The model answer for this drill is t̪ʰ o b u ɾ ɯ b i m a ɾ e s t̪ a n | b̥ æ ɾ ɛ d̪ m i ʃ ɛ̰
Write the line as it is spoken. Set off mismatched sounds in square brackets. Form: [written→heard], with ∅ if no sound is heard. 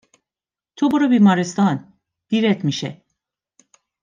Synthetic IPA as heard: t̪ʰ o b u ɾ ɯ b i m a ɾ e s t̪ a n | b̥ [æ→i] ɾ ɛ [d̪→t̪] m i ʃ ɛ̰